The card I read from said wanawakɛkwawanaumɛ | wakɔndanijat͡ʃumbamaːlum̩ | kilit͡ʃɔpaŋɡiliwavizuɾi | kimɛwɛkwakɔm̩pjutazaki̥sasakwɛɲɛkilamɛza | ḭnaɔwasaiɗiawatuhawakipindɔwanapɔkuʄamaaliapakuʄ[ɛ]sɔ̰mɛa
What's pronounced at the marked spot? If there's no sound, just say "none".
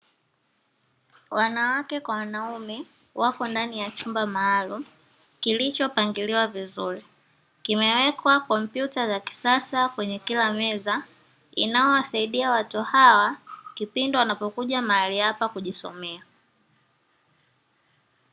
i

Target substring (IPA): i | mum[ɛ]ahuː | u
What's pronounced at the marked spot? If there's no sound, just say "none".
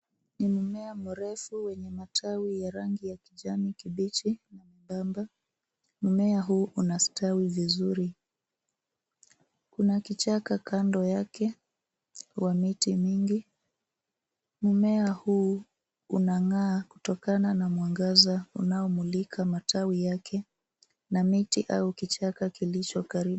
ɛ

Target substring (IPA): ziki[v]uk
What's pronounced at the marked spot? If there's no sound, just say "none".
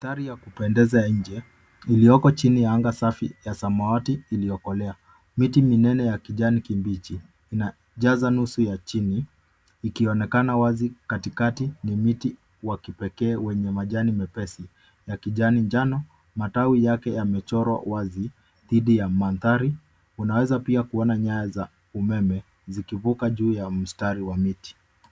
v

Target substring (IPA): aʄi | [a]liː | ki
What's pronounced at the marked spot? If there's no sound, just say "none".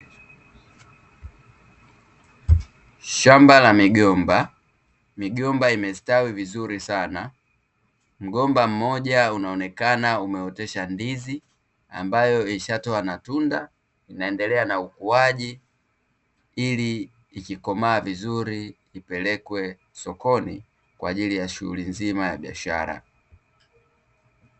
i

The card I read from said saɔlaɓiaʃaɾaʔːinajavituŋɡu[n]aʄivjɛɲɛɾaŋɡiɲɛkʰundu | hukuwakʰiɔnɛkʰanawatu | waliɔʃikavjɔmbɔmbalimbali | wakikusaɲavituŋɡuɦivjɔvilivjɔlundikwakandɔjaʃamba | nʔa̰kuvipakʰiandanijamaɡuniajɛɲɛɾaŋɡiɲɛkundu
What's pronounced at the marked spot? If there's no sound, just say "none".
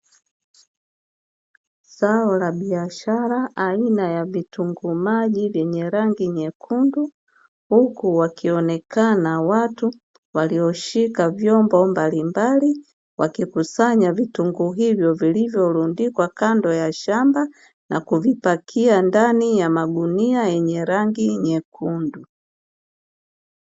m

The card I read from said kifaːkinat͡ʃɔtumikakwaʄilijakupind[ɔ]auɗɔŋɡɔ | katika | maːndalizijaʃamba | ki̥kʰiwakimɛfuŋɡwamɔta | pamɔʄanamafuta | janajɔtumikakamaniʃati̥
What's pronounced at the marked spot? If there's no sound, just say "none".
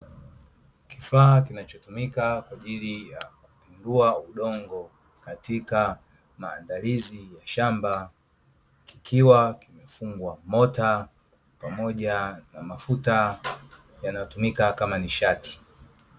u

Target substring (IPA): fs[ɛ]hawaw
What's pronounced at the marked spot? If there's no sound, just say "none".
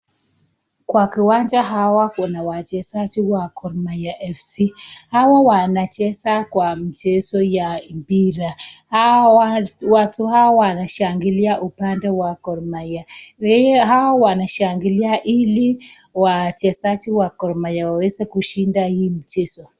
i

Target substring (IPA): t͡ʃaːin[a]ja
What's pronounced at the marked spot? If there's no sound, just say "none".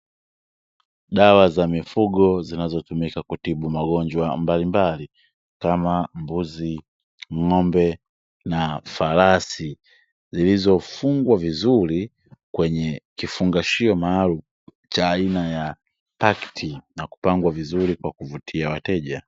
a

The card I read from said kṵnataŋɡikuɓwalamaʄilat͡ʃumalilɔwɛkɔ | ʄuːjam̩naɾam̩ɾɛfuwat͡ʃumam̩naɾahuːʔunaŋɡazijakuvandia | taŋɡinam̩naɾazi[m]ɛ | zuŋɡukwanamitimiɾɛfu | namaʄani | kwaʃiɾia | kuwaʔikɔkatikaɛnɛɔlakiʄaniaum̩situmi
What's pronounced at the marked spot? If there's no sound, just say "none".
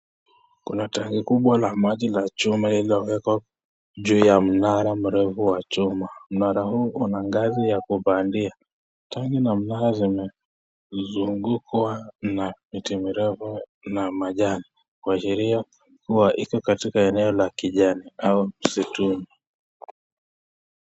m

